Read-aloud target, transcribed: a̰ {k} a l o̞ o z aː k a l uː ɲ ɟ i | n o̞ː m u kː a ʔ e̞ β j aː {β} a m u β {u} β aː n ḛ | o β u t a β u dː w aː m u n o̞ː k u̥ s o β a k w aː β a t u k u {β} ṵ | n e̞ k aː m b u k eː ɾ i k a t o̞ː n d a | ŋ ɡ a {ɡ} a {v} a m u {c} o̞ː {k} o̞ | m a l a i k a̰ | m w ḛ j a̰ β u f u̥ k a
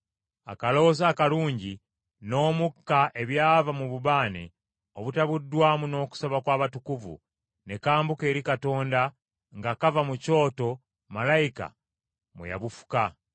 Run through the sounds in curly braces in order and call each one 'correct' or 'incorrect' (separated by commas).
correct, incorrect, correct, incorrect, incorrect, correct, correct, incorrect